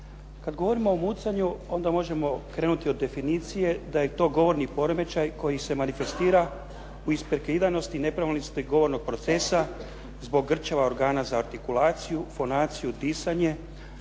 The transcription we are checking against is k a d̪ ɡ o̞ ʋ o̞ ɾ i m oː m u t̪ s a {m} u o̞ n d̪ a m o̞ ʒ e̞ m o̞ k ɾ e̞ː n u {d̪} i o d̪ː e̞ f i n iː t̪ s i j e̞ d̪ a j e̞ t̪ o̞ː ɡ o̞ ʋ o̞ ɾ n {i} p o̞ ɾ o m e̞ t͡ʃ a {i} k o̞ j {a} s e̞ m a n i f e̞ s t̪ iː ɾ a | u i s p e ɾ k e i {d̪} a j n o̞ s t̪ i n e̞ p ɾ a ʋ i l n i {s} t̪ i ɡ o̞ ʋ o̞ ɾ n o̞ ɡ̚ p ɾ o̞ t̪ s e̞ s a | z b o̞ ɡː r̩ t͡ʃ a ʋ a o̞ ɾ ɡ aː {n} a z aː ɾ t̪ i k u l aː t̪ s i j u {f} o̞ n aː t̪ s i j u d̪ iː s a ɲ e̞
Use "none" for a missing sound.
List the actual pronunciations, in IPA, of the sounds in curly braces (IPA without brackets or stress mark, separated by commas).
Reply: ɲ, t̪, i, j, i, d̪, s, n, f